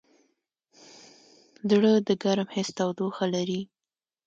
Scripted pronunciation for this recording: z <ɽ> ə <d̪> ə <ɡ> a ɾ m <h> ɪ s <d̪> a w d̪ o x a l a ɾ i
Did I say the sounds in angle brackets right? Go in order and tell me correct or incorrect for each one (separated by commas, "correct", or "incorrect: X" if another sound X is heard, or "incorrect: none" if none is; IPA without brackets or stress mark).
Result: correct, correct, correct, correct, incorrect: t̪